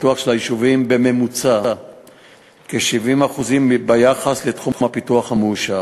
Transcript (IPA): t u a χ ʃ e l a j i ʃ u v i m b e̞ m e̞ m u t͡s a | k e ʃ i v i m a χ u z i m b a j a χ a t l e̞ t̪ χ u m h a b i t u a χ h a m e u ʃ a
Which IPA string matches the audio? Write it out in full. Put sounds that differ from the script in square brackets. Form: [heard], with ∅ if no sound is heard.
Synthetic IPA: t u a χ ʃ e l a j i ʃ u v i m b e̞ m e̞ m u t͡s a | k e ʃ i v i m a χ u z i m b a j a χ a [s] l e̞ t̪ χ u m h a [p] i t u a χ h a m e u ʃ a